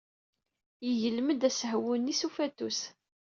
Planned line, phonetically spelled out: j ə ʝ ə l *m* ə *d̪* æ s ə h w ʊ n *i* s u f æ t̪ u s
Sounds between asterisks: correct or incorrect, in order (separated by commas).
correct, correct, correct